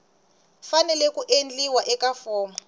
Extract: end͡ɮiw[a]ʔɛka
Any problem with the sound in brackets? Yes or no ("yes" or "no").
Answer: no